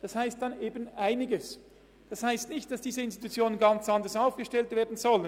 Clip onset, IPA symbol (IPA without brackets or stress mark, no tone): d̥